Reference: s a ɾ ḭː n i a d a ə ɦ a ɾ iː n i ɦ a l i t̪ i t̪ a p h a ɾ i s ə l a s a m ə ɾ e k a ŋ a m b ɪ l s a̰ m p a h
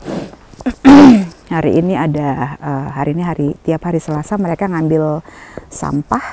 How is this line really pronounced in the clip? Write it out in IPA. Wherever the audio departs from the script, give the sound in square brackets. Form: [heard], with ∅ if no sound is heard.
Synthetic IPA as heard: [h] a ɾ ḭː n i a d a ə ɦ a ɾ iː n i ɦ a [ɾ] i t̪ i [∅] a p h a ɾ i s ə l a s a m ə ɾ e k a ŋ a m b ɪ l s a̰ m p a h

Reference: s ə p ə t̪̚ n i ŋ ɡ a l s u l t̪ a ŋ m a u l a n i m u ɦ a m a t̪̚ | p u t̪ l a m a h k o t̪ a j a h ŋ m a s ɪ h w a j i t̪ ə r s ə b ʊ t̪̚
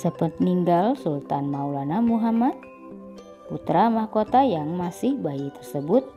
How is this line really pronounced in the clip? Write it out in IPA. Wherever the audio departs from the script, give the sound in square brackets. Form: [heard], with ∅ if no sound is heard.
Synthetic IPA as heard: s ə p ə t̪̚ n i ŋ ɡ a l s u l t̪ a [n] m a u l a n [a] m u ɦ a m a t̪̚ | p u t̪ [ɾ] a m a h k o t̪ a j a [∅] ŋ m a s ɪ h [b] a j i t̪ ə r s ə b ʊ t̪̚

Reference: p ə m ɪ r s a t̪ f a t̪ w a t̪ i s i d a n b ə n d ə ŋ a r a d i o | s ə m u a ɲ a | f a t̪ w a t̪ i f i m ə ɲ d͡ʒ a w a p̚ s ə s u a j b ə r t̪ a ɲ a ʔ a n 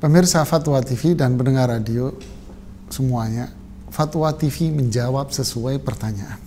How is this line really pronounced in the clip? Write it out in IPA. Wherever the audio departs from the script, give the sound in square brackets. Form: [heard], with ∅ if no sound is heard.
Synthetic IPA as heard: p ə m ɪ r s a [∅] f a t̪ w a t̪ i [f] i d a n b ə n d ə ŋ a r a d i o | s ə m u a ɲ a | f a t̪ w a t̪ i f i m ə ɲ d͡ʒ a w a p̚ s ə s u a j [p] ə r t̪ a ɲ a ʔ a n

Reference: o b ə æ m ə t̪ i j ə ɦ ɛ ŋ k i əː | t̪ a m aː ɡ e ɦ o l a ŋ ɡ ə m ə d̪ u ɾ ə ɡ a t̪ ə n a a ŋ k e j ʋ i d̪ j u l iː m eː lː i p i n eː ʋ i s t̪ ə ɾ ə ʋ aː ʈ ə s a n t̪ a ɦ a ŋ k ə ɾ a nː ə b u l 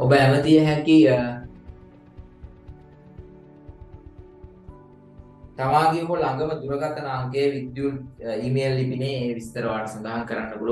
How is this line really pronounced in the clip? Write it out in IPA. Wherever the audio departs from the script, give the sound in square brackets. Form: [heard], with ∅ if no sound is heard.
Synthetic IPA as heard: o b ə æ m ə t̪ i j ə ɦ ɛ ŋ k i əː | t̪ a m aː ɡ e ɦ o l a ŋ ɡ ə m ə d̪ u ɾ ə ɡ a t̪ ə n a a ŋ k e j ʋ i d̪ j u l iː m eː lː i p i n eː ʋ i s t̪ ə ɾ ə ʋ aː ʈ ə s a n [d̪] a ɦ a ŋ k ə ɾ a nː ə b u l

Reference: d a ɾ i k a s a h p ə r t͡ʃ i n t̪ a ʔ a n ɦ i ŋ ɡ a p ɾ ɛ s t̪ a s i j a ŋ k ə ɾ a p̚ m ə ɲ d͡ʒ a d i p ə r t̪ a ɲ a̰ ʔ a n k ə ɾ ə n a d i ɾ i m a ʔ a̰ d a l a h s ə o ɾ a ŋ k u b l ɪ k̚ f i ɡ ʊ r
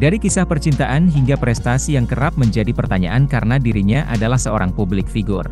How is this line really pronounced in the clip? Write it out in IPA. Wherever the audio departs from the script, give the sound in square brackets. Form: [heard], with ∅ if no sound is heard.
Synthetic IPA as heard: d a ɾ i k [i] s a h p ə r t͡ʃ i n t̪ a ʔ a n ɦ i ŋ ɡ a p ɾ ɛ s t̪ a s i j a ŋ k ə ɾ a p̚ m ə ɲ d͡ʒ a d i p ə r t̪ a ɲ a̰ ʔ a n k [a] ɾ ə n a d i ɾ i [ɲ] a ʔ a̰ d a l a h s ə o ɾ a ŋ [p] u b l ɪ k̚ f i ɡ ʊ r

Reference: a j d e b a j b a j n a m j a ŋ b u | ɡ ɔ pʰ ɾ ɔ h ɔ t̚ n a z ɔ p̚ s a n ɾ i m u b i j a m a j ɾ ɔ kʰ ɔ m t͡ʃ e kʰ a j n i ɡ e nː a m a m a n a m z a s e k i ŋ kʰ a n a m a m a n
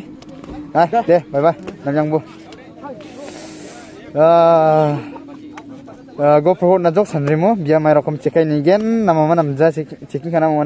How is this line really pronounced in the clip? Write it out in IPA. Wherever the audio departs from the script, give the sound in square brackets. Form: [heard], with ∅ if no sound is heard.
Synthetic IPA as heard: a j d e b a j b a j n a m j a ŋ b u | ɡ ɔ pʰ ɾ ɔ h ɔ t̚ n a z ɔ [k̚] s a n ɾ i m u b i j a m a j ɾ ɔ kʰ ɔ m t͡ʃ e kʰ a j n i ɡ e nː a m a m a n a m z a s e k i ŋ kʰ a n a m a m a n

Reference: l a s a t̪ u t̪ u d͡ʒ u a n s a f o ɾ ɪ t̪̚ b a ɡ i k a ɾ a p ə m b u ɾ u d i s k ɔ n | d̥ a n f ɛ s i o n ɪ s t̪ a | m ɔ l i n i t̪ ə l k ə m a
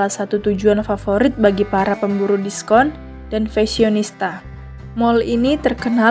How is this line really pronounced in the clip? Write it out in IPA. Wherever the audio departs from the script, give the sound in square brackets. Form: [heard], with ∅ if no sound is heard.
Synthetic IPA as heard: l a s a t̪ u t̪ u d͡ʒ u a n [f] a f o ɾ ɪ t̪̚ b a ɡ i [p] a ɾ a p ə m b u ɾ u d i s k ɔ n | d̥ a n f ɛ s i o n [i] s t̪ a | m ɔ l i n i t̪ ə [r] k ə [n] a

